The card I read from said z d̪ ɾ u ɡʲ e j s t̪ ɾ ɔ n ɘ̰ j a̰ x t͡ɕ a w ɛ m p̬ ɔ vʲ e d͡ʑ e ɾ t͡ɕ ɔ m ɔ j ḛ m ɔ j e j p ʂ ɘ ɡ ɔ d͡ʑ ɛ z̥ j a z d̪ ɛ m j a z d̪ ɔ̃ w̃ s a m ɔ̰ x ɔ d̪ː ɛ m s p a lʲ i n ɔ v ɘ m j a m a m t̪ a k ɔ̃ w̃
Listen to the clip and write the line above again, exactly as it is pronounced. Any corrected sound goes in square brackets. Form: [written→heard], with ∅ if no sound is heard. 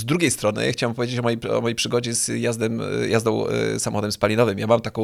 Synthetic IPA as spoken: z d̪ ɾ u ɡʲ e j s t̪ ɾ ɔ n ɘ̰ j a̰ x t͡ɕ a w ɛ m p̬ ɔ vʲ e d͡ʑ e [ɾ→∅] t͡ɕ ɔ m ɔ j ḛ m ɔ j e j p ʂ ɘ ɡ ɔ d͡ʑ ɛ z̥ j a z d̪ ɛ m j a z d̪ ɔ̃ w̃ s a m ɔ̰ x ɔ [d̪ː→d̪] ɛ m s p a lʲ i n ɔ v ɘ m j a m a m t̪ a k ɔ̃ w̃